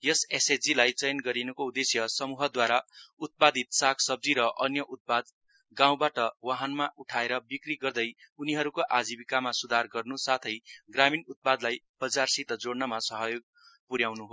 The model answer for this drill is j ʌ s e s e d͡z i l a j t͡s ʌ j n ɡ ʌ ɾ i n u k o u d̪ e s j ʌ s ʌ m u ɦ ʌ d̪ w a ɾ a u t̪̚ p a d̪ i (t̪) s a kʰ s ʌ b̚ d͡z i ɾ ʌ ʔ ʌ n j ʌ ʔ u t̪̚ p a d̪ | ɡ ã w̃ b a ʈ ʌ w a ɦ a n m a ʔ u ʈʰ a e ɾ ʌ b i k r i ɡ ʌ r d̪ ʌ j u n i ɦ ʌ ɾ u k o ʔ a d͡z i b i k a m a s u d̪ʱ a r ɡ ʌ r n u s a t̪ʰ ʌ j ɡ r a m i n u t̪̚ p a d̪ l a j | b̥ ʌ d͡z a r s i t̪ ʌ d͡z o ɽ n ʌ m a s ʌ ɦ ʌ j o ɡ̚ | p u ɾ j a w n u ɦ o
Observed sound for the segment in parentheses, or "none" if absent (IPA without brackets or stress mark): t̪